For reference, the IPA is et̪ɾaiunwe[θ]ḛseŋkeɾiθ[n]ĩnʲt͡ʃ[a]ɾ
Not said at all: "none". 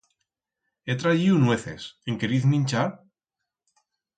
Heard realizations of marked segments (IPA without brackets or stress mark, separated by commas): θ, m, a